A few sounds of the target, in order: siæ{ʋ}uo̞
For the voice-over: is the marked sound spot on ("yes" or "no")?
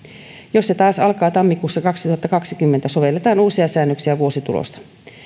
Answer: yes